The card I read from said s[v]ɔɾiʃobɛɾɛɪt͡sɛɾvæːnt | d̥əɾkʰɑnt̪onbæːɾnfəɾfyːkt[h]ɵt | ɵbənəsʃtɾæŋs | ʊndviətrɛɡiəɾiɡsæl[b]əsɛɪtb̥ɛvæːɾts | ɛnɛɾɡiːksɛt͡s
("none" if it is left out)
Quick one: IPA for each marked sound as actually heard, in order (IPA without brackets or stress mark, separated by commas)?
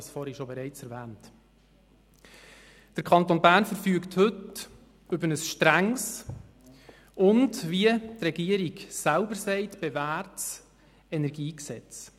f, h, b